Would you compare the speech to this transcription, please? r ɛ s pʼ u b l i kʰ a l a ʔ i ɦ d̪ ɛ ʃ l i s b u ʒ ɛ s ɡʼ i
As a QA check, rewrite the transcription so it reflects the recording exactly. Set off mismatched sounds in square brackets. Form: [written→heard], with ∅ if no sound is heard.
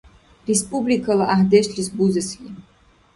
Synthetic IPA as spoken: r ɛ s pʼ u b l i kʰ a l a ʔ [i→a] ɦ d̪ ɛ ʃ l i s b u [ʒ→z] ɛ s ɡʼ i